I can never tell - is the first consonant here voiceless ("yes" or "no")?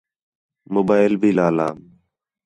no